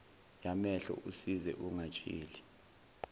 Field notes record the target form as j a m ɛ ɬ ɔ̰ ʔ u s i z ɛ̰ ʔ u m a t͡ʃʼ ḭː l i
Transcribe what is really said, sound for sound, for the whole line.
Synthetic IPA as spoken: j a m ɛ ɬ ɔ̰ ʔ u s i z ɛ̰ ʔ u ŋ a t͡ʃʼ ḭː l i